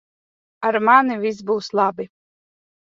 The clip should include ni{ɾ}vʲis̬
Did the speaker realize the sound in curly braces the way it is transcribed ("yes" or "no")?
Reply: no